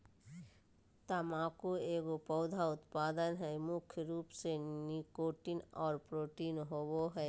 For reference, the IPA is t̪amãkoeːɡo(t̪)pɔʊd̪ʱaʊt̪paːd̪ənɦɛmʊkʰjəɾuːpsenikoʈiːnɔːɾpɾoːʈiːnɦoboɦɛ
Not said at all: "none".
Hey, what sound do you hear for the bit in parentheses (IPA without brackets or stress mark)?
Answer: none